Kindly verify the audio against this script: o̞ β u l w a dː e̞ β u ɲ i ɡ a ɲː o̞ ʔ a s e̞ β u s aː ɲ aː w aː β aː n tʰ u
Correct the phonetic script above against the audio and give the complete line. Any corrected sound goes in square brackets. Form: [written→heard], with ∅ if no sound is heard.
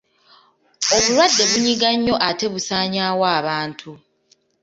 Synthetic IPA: o̞ β u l w a dː e̞ β u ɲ i ɡ a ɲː o̞ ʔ a [s→t] e̞ β u s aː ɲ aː w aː β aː n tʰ u